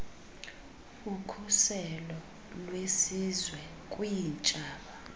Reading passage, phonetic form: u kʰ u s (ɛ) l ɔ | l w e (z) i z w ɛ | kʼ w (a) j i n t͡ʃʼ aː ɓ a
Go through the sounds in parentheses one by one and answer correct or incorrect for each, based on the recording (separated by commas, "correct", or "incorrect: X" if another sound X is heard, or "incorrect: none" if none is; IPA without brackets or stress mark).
correct, incorrect: s, incorrect: i